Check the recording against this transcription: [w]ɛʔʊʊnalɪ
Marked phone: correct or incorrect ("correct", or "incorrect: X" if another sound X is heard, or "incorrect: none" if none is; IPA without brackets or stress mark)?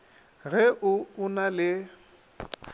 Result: incorrect: ɣ